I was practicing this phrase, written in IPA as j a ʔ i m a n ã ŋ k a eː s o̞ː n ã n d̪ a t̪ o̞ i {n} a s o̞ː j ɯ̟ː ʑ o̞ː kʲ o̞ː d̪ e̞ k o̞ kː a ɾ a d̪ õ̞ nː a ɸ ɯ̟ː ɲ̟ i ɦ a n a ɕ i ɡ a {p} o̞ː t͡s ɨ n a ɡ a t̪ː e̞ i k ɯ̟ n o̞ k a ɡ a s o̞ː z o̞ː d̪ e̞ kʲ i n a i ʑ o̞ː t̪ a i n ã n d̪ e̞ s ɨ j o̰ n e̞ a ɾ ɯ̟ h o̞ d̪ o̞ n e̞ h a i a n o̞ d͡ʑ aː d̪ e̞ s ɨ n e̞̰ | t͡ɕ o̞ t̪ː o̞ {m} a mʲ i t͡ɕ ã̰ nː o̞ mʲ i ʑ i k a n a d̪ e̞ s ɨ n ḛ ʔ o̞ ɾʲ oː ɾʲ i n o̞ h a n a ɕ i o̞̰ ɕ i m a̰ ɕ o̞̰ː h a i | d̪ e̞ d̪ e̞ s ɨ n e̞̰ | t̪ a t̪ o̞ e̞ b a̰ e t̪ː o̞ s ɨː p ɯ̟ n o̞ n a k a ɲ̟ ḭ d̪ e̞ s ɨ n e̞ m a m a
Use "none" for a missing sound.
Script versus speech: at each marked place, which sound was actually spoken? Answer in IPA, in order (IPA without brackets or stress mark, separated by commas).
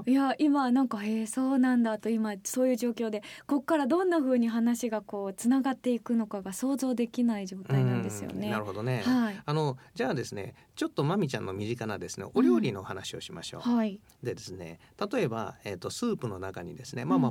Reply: m, k, m